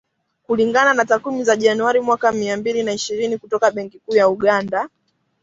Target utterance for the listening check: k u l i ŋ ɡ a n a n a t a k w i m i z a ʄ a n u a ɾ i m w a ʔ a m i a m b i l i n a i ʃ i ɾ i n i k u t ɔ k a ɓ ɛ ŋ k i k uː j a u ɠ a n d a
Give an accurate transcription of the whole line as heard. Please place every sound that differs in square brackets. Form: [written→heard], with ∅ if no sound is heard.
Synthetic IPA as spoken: k u l i ŋ ɡ a n a n a t a k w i m i z a ʄ a n u a ɾ i m w a [ʔ→k] a m i a m b i l i n a i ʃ i ɾ i n i k u t ɔ k a ɓ ɛ ŋ k i k uː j a u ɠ a n d a